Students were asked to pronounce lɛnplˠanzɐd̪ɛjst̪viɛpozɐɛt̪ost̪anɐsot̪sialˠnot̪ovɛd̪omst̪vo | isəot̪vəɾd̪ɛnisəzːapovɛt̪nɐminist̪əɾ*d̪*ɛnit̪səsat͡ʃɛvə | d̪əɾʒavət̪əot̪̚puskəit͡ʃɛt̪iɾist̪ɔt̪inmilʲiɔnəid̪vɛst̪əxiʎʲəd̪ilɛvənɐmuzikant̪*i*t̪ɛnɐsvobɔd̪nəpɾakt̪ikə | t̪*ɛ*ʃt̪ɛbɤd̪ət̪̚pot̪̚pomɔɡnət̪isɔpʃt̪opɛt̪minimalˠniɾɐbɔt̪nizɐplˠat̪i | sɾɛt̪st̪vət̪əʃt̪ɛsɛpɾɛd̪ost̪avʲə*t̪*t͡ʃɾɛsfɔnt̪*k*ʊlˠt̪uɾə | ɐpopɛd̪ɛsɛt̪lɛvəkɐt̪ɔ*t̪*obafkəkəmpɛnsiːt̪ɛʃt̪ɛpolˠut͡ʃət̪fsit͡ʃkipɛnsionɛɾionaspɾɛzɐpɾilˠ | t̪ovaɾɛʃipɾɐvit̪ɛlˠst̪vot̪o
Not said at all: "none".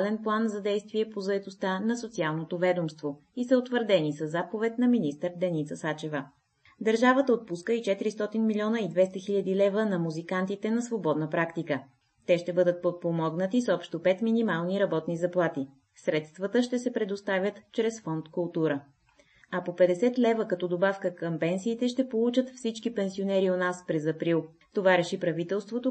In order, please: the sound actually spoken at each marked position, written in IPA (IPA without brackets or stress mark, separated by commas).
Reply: d̪, i, ɛ, t̪, k, d̪